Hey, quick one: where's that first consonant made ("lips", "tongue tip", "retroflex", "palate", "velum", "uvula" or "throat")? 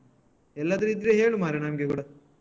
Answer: tongue tip